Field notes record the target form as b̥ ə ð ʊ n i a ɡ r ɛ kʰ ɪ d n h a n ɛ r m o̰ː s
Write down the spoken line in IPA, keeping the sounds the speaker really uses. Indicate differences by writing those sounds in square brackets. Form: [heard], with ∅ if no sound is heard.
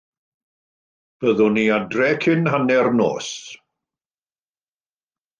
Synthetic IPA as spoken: b̥ ə ð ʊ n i a [d] r ɛ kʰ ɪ [∅] n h a n ɛ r [n] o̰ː s